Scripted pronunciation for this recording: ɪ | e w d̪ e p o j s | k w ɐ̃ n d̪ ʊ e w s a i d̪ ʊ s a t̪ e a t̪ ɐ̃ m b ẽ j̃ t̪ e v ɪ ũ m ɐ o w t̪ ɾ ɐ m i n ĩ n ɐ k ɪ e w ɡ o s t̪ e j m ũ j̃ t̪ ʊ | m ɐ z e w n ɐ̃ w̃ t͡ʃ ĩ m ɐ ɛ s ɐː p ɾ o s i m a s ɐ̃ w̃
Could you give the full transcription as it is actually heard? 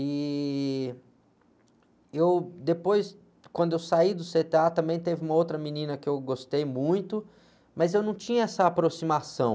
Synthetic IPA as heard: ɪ | e w d̪ e p o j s | k w ɐ̃ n d̪ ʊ e w s a i d̪ ʊ s e t̪ e a t̪ ɐ̃ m b ẽ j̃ t̪ e v ɪ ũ m ɐ o w t̪ ɾ ɐ m i n ĩ n ɐ k ɪ e w ɡ o s t̪ e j m ũ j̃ t̪ ʊ | m ɐ z e w n ɐ̃ w̃ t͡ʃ ĩ ɲ ɐ ɛ s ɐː p ɾ o s i m a s ɐ̃ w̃